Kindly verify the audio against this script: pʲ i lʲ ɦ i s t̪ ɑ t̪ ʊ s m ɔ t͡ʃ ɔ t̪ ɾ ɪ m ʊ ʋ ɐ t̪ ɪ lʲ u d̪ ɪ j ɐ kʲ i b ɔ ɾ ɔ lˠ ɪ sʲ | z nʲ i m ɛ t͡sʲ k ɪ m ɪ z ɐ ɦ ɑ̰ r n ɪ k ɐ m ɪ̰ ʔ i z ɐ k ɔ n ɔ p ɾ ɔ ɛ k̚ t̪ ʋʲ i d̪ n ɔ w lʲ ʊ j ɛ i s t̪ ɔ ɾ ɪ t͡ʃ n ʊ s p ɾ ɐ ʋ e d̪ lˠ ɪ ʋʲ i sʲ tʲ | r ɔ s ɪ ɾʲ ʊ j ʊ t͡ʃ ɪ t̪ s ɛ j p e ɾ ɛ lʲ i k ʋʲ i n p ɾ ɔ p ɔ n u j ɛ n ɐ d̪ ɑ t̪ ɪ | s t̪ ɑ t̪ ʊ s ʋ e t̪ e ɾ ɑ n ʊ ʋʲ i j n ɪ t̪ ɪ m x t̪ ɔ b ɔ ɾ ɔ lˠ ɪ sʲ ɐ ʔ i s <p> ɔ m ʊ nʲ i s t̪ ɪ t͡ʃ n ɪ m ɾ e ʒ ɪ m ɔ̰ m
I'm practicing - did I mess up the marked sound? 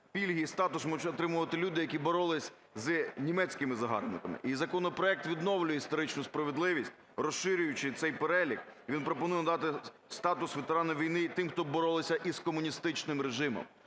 yes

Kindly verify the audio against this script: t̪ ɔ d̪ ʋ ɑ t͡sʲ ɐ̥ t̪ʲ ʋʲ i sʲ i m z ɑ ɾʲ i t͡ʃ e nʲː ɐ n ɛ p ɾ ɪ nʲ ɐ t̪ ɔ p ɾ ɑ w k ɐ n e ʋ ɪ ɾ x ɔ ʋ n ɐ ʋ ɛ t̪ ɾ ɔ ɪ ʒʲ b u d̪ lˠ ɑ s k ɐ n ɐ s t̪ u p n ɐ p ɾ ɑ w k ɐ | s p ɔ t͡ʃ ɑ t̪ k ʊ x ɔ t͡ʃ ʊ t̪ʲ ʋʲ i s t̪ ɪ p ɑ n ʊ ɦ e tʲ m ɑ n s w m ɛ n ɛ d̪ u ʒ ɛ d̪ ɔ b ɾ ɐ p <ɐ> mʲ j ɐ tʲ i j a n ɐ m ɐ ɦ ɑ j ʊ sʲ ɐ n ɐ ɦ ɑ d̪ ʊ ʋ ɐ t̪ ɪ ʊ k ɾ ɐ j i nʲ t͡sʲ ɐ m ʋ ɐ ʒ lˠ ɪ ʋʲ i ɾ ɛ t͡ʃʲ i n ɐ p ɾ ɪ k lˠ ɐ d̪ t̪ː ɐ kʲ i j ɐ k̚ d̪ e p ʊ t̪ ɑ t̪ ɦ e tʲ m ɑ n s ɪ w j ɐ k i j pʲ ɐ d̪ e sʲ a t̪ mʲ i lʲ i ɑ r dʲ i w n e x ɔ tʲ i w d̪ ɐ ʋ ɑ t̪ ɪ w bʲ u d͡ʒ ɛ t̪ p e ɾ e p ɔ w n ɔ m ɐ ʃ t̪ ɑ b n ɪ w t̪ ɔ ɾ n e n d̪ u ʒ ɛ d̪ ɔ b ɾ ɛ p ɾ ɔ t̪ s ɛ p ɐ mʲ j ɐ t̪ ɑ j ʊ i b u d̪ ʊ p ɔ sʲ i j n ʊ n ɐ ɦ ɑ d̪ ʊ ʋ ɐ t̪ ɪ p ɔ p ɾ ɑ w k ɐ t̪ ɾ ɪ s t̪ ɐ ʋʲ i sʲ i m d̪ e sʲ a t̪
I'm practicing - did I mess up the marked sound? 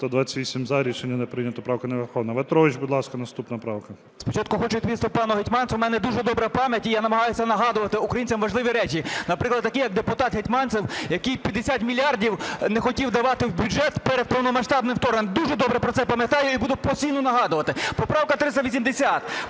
yes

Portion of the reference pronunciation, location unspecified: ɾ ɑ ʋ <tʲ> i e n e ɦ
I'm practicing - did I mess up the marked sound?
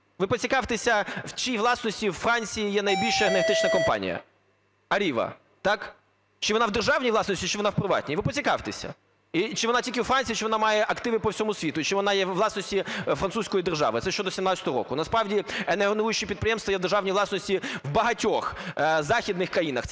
yes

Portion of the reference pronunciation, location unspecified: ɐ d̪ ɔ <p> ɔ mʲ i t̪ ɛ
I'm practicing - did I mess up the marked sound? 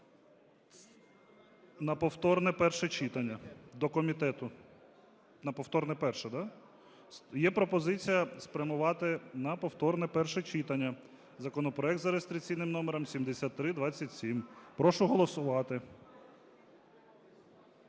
yes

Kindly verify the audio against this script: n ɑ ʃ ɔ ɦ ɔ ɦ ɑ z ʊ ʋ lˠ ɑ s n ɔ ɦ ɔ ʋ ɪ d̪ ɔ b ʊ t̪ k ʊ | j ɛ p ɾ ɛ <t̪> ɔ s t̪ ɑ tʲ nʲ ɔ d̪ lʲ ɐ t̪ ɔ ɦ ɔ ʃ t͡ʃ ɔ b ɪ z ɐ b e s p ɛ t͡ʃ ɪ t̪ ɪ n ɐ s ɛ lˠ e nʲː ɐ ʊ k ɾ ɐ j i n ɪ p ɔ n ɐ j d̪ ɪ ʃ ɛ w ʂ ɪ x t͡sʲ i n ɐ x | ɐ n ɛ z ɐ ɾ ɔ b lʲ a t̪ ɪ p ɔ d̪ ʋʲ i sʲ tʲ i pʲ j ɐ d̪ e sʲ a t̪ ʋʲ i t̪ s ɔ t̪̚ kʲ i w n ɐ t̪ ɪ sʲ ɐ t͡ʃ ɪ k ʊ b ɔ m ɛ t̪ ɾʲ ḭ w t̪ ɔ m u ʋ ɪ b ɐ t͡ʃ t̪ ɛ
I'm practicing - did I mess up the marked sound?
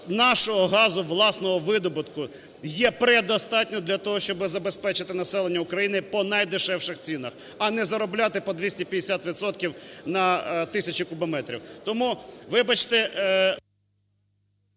yes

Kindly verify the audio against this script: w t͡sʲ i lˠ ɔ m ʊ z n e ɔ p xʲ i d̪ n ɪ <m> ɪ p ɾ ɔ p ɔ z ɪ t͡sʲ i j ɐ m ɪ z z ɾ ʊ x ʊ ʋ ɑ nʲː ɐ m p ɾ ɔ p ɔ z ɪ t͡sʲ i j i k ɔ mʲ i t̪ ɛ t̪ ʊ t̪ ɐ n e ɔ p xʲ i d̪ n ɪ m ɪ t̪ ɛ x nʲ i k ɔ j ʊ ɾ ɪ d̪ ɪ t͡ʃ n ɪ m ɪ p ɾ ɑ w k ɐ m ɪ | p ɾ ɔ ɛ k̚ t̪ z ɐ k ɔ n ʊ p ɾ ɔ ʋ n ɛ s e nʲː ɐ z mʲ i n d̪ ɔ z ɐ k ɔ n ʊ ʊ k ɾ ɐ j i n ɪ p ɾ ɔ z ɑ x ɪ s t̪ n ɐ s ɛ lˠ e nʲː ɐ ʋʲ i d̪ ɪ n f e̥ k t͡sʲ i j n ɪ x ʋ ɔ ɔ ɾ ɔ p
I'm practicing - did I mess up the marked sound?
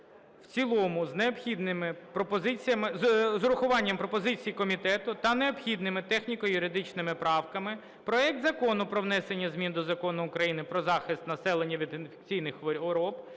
no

